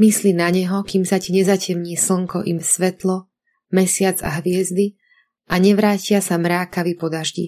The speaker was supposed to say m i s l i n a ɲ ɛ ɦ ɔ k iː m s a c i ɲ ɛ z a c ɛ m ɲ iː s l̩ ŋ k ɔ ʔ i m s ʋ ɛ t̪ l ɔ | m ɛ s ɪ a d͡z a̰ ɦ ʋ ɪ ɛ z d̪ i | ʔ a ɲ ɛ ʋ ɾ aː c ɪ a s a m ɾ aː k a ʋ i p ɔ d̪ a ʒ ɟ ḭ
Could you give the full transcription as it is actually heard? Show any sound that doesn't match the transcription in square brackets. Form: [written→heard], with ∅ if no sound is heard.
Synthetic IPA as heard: m i s l i n a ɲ ɛ ɦ ɔ k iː m s a c i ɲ ɛ z a c ɛ m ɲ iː s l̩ ŋ k ɔ ʔ i m s ʋ ɛ t̪ l ɔ | m ɛ s ɪ a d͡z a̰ ɦ ʋ ɪ ɛ z d̪ i | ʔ a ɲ ɛ ʋ ɾ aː c ɪ a s a m ɾ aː k a ʋ i p ɔ d̪ a ʒ ɟ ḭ